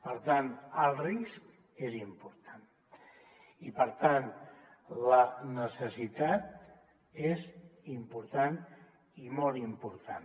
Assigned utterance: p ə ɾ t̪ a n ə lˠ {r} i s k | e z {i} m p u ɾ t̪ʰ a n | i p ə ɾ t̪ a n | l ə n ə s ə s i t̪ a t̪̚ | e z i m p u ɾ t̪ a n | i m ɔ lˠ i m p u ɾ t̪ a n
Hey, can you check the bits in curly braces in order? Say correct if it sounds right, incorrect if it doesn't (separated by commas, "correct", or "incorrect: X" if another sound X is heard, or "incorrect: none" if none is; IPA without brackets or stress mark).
correct, correct